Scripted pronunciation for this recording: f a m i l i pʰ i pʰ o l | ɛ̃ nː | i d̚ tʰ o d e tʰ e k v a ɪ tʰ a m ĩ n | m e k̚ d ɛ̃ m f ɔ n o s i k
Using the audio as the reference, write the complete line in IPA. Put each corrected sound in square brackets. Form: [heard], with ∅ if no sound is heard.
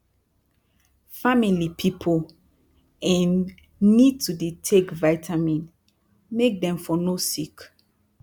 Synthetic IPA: f a m i l i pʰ i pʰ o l | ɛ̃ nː | i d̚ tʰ [u] d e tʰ e k v a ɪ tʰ a m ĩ n | m e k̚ d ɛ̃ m f ɔ n o s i k